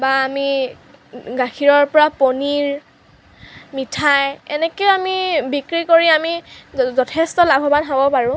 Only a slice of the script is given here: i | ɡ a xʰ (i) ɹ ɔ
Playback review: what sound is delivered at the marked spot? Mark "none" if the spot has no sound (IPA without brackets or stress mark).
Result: i